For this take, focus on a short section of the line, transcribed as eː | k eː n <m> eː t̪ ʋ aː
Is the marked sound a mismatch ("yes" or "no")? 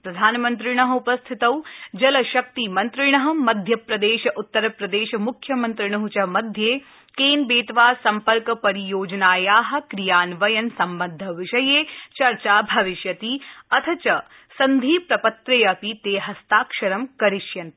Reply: yes